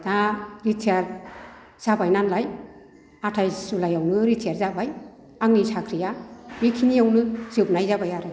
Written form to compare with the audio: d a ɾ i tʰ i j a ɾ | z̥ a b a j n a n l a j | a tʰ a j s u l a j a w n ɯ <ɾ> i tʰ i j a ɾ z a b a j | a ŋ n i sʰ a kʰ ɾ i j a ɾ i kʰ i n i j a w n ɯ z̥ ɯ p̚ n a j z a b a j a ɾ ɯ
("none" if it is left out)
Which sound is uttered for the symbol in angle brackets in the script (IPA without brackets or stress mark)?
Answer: ɾ